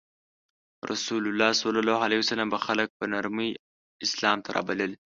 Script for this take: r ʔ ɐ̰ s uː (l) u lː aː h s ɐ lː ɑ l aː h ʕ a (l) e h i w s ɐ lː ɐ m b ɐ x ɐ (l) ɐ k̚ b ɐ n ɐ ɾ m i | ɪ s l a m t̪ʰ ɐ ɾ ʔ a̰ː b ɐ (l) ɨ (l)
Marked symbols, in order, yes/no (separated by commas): yes, yes, yes, yes, yes